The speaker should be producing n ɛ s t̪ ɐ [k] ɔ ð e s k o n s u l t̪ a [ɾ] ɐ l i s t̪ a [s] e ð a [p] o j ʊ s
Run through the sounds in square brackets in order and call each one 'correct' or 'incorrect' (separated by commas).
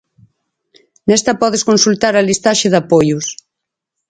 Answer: incorrect, correct, incorrect, correct